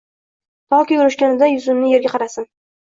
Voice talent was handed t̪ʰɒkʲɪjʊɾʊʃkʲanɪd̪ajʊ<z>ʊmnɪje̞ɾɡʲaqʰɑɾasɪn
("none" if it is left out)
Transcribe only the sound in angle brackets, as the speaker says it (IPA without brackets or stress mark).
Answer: z